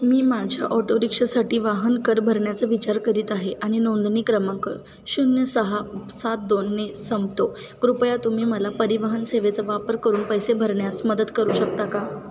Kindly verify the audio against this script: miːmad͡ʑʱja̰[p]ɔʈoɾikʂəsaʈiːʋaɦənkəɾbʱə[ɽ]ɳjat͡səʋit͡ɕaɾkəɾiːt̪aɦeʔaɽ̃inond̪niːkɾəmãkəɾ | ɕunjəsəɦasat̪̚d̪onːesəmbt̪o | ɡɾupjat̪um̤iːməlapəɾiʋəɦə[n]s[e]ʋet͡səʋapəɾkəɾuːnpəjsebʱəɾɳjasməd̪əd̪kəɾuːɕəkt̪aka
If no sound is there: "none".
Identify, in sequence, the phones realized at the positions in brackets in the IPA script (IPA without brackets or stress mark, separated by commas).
ʔ, ɾ, n, e